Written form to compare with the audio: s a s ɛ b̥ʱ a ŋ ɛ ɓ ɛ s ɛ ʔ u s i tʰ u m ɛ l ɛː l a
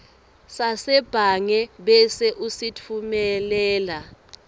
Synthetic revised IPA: s a s ɛ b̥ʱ a ŋ ɛ ɓ ɛ s ɛ ʔ u s i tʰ u m ɛ l ɛː l a